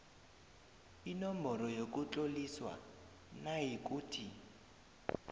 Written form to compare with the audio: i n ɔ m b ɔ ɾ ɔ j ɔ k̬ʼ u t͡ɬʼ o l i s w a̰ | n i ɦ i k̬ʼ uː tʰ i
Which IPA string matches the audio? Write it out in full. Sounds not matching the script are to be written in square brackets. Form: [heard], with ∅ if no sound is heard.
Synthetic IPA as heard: i n ɔ m b ɔ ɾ ɔ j [o] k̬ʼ u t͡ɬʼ o l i s w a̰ | n [a] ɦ i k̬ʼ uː tʰ i